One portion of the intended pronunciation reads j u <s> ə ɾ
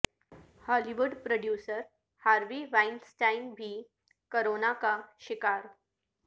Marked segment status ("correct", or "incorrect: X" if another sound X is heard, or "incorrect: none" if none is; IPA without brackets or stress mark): correct